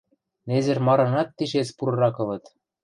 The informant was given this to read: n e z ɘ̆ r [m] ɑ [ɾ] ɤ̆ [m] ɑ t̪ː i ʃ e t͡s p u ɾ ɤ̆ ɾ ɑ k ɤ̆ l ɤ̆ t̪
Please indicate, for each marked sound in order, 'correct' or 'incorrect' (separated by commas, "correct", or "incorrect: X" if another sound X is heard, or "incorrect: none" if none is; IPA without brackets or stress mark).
correct, correct, incorrect: n